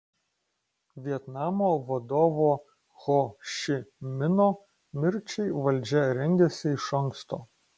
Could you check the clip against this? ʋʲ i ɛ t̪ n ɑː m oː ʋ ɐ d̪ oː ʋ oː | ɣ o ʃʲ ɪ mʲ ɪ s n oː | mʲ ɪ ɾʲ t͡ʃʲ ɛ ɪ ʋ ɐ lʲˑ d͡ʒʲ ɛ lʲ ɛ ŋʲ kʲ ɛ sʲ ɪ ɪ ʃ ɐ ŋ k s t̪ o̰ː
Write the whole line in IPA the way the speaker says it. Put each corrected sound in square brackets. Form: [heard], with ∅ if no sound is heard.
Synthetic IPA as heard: ʋʲ i ɛ t̪ n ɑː m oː ʋ ɐ d̪ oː ʋ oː | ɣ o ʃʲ ɪ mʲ ɪ [∅] n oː | mʲ ɪ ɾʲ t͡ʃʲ ɛ ɪ ʋ ɐ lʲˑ d͡ʒʲ ɛ [ɾʲ] ɛ ŋʲ [ɡʲ] ɛ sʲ ɪ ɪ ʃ ɐ ŋ k s t̪ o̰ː